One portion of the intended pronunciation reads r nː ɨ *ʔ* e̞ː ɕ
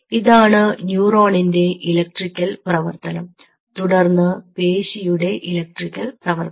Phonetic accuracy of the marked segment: incorrect: p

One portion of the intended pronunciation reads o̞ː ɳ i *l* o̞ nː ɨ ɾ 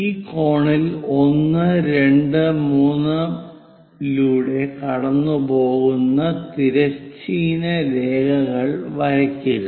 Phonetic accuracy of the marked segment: correct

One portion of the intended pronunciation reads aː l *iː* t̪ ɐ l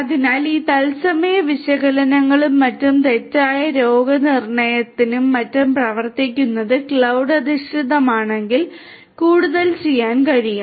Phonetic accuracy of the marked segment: correct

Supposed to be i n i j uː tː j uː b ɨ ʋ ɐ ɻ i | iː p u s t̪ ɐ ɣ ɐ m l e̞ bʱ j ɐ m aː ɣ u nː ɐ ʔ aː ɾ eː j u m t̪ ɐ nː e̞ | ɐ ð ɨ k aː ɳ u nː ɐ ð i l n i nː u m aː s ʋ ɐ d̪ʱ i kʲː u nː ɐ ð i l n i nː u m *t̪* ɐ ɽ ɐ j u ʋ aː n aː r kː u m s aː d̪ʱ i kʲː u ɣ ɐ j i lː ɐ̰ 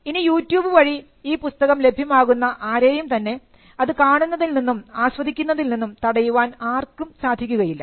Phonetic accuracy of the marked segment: correct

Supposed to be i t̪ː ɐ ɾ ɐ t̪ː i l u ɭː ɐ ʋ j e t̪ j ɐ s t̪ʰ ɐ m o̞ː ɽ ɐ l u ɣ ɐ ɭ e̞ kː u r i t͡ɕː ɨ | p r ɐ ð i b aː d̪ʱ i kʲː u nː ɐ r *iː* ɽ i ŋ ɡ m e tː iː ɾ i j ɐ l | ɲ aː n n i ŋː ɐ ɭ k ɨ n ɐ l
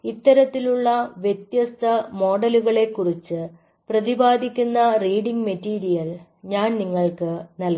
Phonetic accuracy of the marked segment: correct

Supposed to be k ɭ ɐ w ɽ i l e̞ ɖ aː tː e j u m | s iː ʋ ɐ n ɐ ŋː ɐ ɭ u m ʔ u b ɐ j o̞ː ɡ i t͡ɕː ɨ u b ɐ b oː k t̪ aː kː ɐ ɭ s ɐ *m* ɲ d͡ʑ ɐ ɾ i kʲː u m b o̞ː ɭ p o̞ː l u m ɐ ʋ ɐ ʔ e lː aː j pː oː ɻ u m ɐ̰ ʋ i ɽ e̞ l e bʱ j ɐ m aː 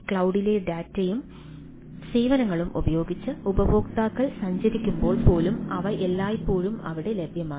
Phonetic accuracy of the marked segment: incorrect: none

